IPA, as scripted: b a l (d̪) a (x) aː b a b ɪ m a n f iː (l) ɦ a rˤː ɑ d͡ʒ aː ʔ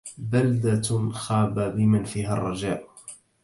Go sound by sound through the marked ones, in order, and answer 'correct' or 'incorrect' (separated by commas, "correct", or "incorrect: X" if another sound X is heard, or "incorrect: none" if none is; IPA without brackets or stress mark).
correct, correct, incorrect: none